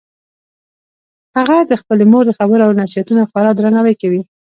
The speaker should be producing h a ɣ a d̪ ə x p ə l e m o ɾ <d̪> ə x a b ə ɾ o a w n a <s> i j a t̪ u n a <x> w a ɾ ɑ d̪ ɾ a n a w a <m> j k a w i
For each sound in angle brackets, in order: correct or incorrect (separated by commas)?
correct, correct, correct, incorrect